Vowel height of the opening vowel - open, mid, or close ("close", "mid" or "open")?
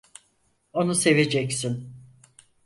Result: mid